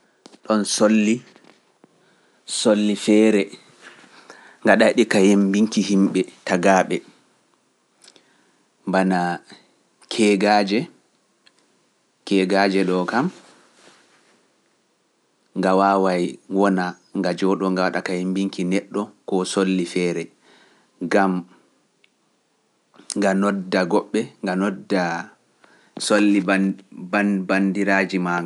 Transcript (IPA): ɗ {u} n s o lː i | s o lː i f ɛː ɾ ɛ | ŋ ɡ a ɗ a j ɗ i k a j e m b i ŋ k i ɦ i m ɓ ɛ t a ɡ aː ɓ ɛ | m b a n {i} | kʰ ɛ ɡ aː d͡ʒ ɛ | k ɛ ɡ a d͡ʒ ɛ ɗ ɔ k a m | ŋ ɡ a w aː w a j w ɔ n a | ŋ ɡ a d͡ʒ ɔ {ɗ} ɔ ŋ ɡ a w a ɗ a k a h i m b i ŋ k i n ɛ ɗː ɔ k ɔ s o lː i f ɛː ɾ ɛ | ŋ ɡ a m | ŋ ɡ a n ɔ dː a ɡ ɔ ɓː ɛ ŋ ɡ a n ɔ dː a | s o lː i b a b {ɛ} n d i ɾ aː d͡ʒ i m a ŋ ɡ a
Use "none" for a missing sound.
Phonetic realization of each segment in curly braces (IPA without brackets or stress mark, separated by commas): ɔ, a, ɗ, a